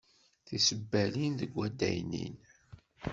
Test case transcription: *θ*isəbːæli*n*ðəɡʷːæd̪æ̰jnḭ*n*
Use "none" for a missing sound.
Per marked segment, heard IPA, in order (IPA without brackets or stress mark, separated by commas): θ, n, n